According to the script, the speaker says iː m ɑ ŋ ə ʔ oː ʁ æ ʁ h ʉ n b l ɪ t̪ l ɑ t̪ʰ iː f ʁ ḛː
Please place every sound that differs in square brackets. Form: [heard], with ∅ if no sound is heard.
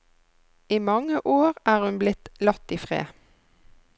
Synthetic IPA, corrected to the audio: iː m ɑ ŋ ə ʔ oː ʁ [æː] ʁ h ʉ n b l ɪ t̪ l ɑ [t̪] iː f ʁ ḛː